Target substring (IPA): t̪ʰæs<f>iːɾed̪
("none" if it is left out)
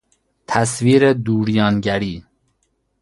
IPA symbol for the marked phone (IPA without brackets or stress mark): v